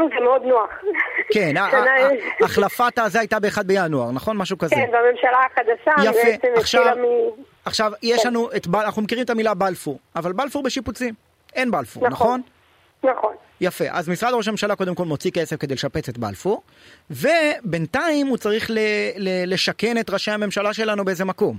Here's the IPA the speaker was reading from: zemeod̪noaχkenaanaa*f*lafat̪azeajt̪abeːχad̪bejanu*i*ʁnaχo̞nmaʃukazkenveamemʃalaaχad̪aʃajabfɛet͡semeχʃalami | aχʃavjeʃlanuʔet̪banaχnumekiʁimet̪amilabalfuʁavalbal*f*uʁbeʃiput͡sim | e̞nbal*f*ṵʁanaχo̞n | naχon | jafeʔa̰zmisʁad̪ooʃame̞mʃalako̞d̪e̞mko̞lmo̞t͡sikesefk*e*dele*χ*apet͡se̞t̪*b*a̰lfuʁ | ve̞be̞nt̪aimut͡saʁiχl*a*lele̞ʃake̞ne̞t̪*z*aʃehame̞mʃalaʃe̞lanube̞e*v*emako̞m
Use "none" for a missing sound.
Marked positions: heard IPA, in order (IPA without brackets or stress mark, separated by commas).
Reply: χ, a, f, f, e, ʃ, b, e, ʁ, z